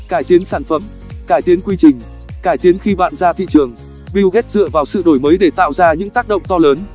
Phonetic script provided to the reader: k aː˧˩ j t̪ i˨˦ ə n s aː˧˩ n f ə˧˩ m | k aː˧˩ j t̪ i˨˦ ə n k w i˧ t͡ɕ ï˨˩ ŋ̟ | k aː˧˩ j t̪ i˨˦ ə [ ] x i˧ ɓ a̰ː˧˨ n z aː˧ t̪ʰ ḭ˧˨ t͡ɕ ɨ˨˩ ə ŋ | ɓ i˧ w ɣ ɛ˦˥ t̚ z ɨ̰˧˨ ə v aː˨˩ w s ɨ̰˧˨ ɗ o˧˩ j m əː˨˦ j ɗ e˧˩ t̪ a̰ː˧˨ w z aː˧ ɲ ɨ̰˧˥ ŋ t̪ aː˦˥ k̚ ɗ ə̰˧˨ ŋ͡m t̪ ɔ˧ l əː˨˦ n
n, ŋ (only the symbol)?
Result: n